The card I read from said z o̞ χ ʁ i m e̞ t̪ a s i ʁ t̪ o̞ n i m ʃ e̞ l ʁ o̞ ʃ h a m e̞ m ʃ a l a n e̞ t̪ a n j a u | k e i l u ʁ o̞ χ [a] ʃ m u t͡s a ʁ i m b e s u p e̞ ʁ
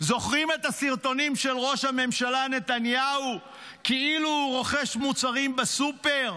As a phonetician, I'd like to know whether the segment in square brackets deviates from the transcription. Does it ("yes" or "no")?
yes